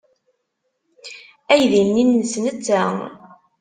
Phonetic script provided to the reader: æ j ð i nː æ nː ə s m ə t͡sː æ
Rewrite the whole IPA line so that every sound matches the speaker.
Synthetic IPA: æ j ð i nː i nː ə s n ə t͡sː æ